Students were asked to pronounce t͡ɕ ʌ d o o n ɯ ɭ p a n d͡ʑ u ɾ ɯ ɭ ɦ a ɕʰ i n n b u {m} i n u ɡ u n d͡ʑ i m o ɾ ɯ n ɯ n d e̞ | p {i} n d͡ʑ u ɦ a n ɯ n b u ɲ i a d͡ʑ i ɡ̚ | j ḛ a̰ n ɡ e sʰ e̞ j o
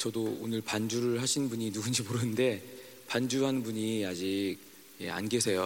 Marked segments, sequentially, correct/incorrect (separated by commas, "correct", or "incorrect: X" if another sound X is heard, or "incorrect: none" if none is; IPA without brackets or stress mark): incorrect: ɲ, incorrect: a